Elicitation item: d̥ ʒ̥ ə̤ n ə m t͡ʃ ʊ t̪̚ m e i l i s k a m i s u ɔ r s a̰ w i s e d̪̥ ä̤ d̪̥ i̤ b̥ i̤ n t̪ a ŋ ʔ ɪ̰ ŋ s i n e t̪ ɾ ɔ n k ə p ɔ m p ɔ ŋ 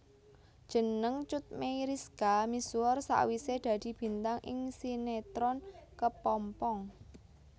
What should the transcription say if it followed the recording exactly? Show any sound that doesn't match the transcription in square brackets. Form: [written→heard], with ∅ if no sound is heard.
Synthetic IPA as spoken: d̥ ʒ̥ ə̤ n ə [m→ŋ] t͡ʃ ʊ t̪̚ m e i [l→ɾ] i s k a m i s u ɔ r s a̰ w i s e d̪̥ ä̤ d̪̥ i̤ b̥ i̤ n t̪ a ŋ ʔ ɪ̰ ŋ s i n e t̪ ɾ ɔ n k ə p ɔ m p ɔ ŋ

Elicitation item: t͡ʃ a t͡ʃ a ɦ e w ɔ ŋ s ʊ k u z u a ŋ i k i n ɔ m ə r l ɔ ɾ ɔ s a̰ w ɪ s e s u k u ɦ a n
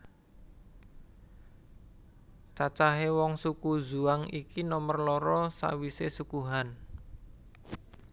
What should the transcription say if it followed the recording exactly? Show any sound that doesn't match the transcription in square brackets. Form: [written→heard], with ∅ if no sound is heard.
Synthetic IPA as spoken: t͡ʃ a t͡ʃ a ɦ e w ɔ ŋ s [ʊ→u] k u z u a ŋ i k i n ɔ m ə r l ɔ ɾ ɔ s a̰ w [ɪ→i] s e s u k u ɦ a n

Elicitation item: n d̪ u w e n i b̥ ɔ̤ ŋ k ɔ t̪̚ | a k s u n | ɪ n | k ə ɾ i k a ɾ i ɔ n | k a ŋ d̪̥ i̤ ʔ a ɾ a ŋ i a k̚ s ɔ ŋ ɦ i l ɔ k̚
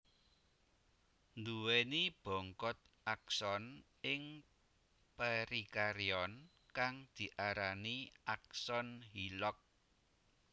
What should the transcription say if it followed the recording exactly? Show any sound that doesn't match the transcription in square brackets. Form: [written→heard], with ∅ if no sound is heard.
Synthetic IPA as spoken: n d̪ u w e n i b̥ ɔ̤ ŋ k ɔ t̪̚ | a k s [u→ɔ] n | ɪ [n→ŋ] | [k→p] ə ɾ i k a ɾ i ɔ n | k a ŋ d̪̥ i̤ ʔ a ɾ a [ŋ→n] i a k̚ s ɔ [ŋ→n] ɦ i l ɔ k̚

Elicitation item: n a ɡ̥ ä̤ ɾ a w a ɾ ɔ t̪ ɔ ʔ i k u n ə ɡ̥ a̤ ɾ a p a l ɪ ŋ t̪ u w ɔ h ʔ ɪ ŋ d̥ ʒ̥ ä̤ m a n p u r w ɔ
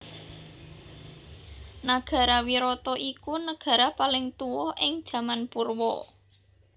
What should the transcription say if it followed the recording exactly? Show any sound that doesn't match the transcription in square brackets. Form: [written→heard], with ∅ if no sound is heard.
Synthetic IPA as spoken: n a ɡ̥ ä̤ ɾ a w [a→i] ɾ ɔ t̪ ɔ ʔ i k u n ə ɡ̥ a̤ ɾ a p a l ɪ ŋ t̪ u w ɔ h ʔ ɪ ŋ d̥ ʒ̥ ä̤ m a n p u r w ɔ

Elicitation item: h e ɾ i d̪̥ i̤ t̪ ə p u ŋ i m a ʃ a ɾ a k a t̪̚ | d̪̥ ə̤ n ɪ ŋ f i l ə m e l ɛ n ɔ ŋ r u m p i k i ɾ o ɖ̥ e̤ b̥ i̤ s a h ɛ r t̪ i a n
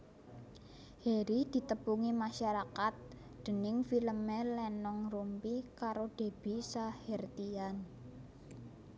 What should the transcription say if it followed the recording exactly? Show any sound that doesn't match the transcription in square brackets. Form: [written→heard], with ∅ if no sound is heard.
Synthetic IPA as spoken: h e ɾ i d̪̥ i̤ t̪ ə p u ŋ i m a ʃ a ɾ a k a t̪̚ | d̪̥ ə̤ n ɪ ŋ f i l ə m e l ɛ n ɔ ŋ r u m p i k [i→a] ɾ o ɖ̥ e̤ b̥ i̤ s a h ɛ r t̪ i a n

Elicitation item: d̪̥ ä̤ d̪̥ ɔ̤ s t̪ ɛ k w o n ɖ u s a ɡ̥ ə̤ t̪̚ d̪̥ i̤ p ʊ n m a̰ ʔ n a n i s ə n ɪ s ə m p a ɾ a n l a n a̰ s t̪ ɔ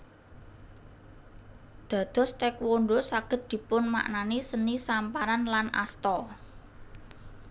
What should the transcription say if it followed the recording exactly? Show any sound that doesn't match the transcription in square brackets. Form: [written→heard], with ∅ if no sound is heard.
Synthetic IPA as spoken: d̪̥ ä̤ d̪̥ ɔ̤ s t̪ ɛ k w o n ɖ [u→o] s a ɡ̥ ə̤ t̪̚ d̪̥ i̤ p ʊ n m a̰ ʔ n a n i s ə n [ɪ→i] s [ə→a] m p a ɾ a n l a n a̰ s t̪ ɔ

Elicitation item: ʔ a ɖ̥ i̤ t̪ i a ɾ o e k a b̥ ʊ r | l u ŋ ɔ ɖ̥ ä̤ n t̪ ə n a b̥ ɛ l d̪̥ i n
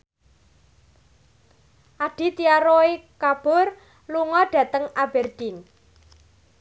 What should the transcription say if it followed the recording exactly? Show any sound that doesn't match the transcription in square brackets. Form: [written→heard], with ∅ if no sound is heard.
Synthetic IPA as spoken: ʔ a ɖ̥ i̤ t̪ i a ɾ o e k a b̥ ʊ r | l u ŋ ɔ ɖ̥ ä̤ [n→∅] t̪ ə [n→ŋ] a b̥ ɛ [l→r] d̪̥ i n

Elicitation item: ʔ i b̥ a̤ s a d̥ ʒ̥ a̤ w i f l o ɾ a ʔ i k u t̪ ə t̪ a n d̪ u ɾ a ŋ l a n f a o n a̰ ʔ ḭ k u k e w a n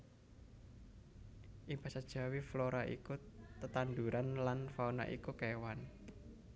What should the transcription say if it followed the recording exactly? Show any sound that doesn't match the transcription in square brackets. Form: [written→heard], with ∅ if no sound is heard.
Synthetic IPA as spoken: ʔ i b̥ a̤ s a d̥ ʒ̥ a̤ w i f l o ɾ a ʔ i k u t̪ ə t̪ a n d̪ u ɾ a [ŋ→n] l a n f a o n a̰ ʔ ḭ k u k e w a n

